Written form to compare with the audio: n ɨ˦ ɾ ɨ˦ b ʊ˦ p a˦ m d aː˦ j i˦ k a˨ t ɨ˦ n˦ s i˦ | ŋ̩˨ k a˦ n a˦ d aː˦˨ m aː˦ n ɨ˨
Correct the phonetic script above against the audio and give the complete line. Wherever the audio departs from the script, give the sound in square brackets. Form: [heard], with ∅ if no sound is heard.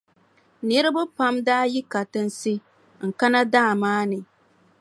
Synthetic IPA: n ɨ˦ ɾ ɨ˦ b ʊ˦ p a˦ m d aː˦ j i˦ k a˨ t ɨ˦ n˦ s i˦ | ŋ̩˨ k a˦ n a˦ d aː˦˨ m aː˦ n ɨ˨